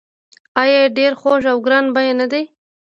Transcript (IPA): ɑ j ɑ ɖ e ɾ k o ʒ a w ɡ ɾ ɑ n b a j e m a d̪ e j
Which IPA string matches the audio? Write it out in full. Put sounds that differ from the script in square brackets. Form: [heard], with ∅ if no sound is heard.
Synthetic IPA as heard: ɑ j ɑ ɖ e ɾ [x] o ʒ a w ɡ ɾ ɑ n b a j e [n] a d̪ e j